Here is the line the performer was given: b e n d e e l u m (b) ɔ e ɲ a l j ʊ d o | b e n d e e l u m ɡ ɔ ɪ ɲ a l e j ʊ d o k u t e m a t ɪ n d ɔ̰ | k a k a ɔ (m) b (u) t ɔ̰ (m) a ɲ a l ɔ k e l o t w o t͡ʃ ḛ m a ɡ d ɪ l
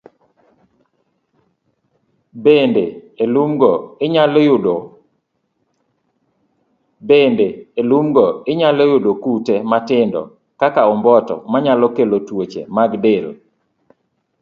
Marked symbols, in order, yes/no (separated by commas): no, yes, no, yes